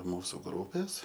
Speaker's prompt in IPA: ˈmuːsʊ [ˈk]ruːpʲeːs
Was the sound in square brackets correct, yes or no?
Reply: no